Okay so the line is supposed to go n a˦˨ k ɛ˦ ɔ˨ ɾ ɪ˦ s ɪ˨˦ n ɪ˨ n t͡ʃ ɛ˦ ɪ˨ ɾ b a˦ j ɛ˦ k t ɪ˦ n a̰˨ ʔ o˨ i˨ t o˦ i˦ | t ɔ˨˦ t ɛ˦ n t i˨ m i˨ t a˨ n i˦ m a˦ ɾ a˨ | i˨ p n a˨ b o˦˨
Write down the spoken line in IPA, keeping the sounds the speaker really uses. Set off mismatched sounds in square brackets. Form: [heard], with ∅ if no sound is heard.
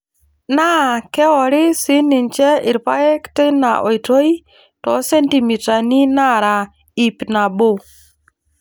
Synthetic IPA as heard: n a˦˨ k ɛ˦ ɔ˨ ɾ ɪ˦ s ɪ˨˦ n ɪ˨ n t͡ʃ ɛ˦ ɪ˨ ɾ [p] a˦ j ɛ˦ k t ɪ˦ n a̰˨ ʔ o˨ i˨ t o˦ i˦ | t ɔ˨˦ [s] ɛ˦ n t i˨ m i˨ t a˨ n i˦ [n] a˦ ɾ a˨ | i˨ p n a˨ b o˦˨